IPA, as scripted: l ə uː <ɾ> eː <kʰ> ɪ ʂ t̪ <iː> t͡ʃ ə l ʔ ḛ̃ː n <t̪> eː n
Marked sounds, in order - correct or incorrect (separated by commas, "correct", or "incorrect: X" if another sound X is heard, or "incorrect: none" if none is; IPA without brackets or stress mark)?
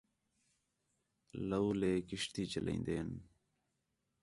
incorrect: l, incorrect: k, correct, incorrect: d̪